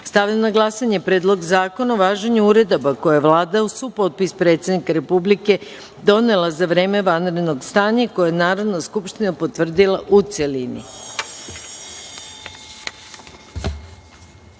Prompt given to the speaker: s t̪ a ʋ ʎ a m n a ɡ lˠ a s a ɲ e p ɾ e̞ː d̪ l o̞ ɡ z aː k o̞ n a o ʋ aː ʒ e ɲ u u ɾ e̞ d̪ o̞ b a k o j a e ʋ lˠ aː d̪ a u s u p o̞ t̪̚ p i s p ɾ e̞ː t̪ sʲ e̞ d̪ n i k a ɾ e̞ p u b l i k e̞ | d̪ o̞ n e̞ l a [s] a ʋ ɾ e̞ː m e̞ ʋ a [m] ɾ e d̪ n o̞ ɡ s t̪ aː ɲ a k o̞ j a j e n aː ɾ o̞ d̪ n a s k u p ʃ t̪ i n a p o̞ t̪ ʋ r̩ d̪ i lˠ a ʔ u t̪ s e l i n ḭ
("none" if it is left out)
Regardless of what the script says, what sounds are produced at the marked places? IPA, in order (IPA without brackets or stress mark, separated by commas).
z, n